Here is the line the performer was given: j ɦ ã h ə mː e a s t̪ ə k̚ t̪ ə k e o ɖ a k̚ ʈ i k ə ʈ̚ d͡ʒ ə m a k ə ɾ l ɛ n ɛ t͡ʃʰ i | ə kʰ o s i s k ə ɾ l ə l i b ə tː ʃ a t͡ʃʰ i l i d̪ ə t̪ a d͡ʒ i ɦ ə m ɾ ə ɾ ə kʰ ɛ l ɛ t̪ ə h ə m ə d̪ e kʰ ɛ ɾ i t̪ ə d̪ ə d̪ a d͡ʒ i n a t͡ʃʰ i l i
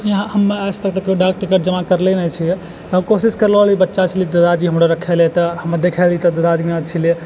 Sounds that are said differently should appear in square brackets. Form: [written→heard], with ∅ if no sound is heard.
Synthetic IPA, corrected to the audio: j ɦ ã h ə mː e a s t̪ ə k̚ t̪ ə k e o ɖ a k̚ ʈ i k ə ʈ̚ d͡ʒ ə m a k ə ɾ l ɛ n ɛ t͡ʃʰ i | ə [kʰ→k] o s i s k ə ɾ l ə l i b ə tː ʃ a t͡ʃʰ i l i d̪ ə [t̪→d̪] a d͡ʒ i ɦ ə m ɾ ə ɾ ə kʰ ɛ l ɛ t̪ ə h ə m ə d̪ e kʰ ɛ [ɾ→l] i t̪ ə d̪ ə d̪ a d͡ʒ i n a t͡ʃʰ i l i